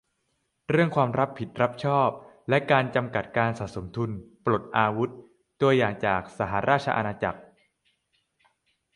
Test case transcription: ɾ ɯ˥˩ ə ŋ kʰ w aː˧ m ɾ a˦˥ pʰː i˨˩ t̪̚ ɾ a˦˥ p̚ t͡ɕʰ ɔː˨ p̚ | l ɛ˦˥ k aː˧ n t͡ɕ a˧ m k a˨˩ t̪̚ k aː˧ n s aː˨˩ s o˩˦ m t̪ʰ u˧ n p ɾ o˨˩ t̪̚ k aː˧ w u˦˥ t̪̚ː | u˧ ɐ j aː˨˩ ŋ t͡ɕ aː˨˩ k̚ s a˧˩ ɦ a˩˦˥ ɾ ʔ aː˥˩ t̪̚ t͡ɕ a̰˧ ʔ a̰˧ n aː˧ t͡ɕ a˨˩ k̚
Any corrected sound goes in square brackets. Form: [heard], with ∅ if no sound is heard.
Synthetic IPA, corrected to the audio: ɾ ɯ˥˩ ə ŋ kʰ w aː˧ m ɾ a˦˥ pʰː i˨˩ t̪̚ ɾ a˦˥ p̚ t͡ɕʰ [ɔː˥˩] p̚ | l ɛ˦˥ k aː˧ n t͡ɕ a˧ m k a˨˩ t̪̚ k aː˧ n s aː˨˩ s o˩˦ m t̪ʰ u˧ n p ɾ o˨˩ t̪̚ [ʔ] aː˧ w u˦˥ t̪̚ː | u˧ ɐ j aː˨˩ ŋ t͡ɕ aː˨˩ k̚ s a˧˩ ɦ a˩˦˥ ɾ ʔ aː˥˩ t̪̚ [t͡ɕʰ] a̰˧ ʔ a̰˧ n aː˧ t͡ɕ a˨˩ k̚